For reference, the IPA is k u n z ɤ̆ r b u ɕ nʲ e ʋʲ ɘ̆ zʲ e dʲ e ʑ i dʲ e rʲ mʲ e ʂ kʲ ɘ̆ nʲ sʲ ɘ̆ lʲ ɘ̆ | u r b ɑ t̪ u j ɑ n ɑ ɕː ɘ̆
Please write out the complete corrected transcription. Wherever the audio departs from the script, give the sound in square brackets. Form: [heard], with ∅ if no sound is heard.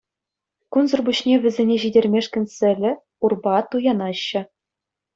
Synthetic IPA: k u n z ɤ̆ r b u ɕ nʲ e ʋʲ ɘ̆ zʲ e [nʲ] e ʑ i dʲ e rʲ mʲ e ʂ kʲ ɘ̆ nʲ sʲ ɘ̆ lʲ ɘ̆ | u r b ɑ t̪ u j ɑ n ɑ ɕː ɘ̆